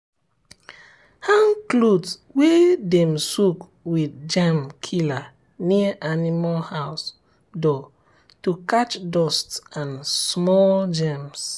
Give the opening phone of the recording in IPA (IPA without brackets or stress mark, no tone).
h